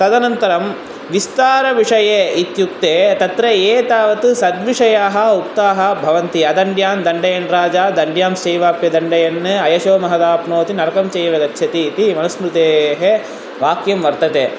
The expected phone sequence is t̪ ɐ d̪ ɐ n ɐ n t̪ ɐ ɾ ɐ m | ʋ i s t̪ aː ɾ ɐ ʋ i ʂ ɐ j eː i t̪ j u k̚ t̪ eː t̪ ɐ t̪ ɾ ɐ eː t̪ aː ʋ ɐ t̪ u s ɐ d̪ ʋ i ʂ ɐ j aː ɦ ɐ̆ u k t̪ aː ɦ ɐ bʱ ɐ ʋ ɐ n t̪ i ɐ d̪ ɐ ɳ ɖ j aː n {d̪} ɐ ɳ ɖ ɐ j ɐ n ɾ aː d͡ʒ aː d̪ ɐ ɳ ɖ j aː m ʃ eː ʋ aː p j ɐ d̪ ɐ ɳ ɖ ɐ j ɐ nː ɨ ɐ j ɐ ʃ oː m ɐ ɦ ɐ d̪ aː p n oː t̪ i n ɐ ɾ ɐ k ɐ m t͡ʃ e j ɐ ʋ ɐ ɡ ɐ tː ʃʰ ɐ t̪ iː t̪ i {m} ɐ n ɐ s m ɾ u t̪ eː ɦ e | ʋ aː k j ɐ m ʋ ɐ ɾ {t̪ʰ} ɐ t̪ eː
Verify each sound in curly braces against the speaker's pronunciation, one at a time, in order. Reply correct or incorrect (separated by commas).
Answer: correct, correct, incorrect